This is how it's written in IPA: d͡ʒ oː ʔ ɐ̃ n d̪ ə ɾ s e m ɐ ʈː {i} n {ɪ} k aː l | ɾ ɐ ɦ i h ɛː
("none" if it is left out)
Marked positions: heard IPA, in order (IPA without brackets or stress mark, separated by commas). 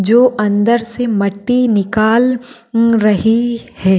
i, ɪ